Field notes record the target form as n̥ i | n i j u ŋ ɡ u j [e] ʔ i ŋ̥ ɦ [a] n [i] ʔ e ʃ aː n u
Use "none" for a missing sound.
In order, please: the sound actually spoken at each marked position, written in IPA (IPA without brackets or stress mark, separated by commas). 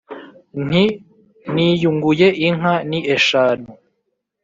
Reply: e, a, i